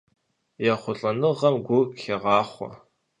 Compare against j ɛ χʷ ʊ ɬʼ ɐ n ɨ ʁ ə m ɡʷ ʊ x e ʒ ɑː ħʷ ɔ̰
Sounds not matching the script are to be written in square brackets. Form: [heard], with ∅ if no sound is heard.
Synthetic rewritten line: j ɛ χʷ ʊ ɬʼ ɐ n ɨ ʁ [ɐ] m ɡʷ ʊ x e [ʁ] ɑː [χʷ] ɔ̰